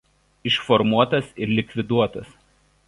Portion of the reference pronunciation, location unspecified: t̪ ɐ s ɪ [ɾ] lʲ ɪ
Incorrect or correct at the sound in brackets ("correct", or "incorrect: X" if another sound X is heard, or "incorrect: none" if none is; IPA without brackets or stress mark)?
correct